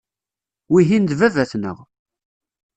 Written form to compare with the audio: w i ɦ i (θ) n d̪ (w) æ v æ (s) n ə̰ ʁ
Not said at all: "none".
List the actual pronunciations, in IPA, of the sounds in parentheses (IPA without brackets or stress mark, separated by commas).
none, v, θ